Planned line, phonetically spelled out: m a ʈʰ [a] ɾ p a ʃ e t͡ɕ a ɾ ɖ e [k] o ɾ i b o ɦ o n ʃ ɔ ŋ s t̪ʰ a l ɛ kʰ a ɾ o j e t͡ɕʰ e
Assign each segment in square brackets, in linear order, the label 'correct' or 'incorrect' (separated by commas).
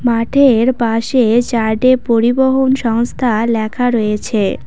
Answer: incorrect, incorrect